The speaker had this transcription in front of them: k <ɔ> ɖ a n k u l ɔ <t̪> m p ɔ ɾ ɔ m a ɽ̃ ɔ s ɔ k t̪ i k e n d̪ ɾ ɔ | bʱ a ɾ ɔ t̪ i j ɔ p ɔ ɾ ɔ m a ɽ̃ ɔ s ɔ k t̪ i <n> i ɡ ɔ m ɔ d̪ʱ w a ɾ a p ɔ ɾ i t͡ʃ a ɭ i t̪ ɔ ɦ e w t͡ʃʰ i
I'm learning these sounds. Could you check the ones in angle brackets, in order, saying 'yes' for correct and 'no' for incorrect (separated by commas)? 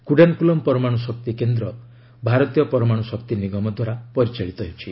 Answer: no, no, yes